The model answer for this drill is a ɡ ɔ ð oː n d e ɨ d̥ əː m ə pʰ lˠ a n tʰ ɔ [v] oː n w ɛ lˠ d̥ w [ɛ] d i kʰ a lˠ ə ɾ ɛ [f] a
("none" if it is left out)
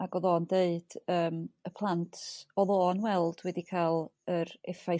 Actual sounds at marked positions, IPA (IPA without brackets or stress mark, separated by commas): ð, ɛ, f